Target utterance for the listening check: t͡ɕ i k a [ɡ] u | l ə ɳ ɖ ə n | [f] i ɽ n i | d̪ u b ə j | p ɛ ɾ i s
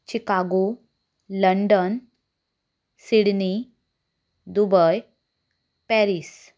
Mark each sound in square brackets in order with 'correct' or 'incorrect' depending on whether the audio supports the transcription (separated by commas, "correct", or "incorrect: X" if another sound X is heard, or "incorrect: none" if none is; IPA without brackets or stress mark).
correct, incorrect: s